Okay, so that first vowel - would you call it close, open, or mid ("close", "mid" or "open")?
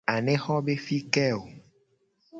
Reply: open